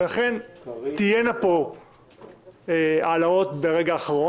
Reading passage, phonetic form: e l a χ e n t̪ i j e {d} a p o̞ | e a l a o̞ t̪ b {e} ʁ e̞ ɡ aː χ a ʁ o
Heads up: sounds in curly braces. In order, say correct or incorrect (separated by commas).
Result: incorrect, correct